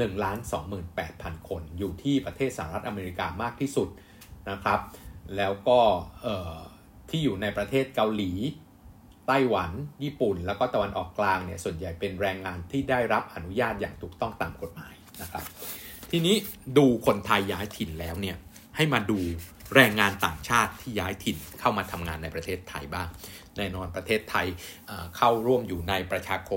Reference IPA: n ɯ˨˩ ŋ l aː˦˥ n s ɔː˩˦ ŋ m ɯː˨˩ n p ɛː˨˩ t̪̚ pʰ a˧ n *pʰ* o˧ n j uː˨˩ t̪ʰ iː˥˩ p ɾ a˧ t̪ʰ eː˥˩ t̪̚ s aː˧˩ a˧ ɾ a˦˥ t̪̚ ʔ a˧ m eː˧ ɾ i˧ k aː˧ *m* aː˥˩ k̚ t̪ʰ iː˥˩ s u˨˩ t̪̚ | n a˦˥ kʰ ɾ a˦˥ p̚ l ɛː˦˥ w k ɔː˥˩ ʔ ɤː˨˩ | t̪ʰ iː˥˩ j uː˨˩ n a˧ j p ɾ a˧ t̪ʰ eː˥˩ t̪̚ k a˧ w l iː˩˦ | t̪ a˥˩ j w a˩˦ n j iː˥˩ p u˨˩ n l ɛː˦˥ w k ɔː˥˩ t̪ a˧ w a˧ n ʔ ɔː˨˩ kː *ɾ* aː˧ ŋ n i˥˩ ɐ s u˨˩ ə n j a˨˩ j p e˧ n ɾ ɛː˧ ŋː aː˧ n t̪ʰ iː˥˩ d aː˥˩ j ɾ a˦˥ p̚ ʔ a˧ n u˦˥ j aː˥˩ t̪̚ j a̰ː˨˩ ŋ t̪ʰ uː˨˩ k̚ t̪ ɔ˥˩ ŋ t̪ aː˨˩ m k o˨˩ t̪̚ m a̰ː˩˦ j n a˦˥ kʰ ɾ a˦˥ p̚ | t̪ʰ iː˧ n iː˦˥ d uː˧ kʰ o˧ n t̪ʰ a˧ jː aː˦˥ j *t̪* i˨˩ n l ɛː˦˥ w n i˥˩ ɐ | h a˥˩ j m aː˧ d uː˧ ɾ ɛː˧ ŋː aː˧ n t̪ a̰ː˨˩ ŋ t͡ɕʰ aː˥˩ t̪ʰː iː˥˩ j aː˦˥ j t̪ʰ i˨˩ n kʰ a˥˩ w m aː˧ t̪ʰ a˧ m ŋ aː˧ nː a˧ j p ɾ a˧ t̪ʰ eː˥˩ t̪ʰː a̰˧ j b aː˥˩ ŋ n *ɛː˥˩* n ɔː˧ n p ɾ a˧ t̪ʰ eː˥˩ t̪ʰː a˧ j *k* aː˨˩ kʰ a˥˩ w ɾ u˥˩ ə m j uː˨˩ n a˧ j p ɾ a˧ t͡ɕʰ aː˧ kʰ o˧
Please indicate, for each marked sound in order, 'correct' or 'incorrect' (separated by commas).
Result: incorrect, correct, incorrect, incorrect, incorrect, incorrect